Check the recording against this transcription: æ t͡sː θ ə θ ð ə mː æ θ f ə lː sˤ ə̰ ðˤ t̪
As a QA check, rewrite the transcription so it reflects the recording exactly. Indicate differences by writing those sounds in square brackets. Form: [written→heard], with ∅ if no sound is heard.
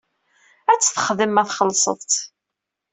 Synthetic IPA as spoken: æ t͡sː θ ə [θ→χ] ð ə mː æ θ [f→χ] ə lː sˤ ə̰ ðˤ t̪